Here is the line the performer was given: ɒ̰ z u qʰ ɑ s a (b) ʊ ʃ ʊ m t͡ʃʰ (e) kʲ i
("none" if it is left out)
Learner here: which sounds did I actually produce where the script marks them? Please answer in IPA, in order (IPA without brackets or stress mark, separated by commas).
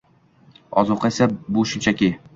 b, a